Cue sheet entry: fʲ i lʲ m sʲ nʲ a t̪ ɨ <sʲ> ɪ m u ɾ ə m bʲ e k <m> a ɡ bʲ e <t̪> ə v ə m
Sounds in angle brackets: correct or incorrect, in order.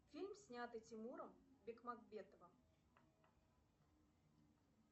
incorrect: tʲ, correct, correct

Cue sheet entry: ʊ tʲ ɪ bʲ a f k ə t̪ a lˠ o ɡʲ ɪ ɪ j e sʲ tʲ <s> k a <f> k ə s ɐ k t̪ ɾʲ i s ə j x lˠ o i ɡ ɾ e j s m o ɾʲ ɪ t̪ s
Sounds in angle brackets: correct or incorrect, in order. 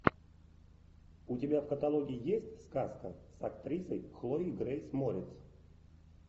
correct, incorrect: s

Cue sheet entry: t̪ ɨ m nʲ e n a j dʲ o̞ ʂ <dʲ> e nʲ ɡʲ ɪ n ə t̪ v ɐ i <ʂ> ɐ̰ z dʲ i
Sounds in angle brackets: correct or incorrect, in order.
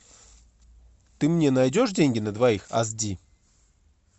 correct, incorrect: x

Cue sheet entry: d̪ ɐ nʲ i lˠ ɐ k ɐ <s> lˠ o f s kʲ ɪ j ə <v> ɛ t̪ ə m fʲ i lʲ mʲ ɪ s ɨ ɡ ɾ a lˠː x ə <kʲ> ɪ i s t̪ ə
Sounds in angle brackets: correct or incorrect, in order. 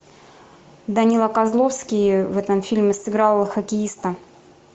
incorrect: z, correct, correct

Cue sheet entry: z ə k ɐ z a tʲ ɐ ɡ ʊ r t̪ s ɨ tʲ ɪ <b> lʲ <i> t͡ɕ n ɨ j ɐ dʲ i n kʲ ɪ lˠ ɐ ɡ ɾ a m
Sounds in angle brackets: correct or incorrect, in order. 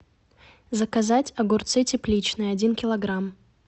incorrect: p, correct

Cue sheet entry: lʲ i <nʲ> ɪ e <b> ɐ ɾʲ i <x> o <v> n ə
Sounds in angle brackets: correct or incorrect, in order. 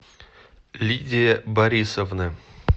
incorrect: dʲ, correct, incorrect: s, correct

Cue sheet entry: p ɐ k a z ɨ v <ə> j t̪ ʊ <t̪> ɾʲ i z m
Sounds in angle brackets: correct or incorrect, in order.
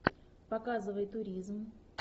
correct, incorrect: none

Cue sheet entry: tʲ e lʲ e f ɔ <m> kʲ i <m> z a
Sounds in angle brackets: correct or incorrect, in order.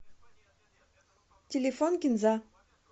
incorrect: n, incorrect: n

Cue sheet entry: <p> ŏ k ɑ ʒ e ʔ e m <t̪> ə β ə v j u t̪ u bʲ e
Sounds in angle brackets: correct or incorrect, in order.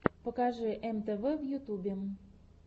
correct, correct

